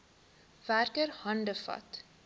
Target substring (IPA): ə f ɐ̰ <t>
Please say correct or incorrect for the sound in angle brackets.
correct